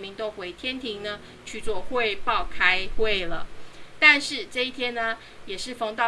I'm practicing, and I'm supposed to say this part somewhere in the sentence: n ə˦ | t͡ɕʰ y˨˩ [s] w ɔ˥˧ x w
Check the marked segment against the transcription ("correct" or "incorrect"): incorrect